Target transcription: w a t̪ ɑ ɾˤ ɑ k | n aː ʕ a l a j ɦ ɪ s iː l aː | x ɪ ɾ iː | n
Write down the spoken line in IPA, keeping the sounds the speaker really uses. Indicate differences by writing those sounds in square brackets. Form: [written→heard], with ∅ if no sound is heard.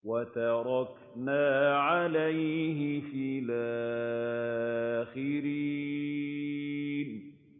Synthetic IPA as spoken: w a t̪ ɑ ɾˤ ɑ k | n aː ʕ a l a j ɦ ɪ [s→f] iː l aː | x ɪ ɾ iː | n